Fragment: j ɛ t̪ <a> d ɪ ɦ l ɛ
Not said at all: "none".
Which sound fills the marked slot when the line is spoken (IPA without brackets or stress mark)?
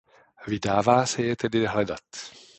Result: ɛ